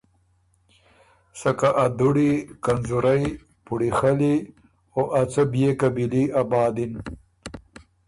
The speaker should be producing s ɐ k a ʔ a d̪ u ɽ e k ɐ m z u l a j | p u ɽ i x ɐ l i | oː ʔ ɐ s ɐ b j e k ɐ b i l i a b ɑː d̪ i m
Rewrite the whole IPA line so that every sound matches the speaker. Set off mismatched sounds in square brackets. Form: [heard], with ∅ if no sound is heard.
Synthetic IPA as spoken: s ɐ k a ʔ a d̪ u ɽ [i] k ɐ [n] z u [ɾ] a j | p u ɽ i x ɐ l i | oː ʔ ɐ [t͡s] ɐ b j e k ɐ b i l i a b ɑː d̪ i [n]